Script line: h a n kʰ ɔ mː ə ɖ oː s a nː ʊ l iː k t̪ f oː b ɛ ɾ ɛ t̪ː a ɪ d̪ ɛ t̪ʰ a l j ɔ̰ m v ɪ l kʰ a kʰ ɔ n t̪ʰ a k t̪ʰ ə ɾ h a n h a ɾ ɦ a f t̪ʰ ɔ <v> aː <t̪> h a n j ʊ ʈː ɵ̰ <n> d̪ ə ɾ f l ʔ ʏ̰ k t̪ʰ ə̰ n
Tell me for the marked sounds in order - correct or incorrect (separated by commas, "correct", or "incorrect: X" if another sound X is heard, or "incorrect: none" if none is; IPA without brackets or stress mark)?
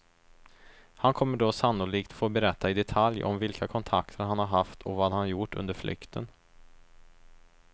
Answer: correct, incorrect: d̪, correct